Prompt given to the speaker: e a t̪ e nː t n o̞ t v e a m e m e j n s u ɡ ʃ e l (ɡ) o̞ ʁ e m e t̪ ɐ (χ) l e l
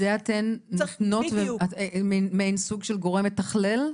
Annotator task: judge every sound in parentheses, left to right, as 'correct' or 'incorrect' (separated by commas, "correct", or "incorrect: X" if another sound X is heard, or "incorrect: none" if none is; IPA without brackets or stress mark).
correct, correct